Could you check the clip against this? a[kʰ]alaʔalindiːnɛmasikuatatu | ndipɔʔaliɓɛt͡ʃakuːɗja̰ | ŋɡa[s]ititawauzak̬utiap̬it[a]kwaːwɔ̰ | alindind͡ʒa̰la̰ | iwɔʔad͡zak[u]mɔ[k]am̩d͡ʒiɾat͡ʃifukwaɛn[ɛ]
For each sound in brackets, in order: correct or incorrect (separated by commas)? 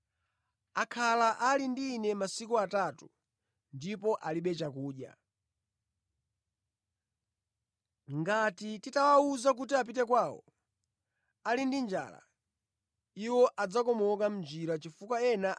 correct, incorrect, incorrect, incorrect, correct, incorrect